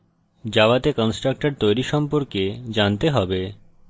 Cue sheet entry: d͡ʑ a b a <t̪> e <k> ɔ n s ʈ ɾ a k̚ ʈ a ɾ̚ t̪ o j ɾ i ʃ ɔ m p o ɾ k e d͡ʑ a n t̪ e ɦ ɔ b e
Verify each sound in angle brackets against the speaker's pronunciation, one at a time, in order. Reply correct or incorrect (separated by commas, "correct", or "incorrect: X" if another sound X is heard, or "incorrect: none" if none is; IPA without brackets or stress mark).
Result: correct, correct